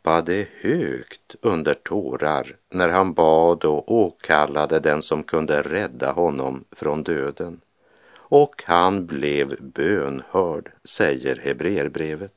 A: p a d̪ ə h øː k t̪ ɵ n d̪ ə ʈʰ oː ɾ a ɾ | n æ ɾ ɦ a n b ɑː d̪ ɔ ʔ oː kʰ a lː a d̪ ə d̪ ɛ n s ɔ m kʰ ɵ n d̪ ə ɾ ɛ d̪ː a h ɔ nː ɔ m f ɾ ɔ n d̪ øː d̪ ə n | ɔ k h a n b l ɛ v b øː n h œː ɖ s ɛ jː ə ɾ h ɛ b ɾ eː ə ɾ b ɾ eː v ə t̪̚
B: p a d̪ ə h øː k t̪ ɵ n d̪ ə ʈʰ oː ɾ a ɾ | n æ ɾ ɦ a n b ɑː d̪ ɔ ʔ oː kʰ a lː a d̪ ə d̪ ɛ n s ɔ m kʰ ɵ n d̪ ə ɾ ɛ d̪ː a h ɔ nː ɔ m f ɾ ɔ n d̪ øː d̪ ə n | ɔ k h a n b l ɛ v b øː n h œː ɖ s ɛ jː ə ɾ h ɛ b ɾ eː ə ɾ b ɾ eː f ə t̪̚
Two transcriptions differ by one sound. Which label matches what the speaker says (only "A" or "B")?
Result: A